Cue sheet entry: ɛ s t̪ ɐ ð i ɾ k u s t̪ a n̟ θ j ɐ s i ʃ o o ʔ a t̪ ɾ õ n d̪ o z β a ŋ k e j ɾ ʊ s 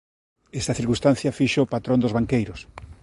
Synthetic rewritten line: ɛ s t̪ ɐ θ i ɾ k u s t̪ a n̟ θ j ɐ f i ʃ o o p a t̪ ɾ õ n d̪ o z β a ŋ k e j ɾ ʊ s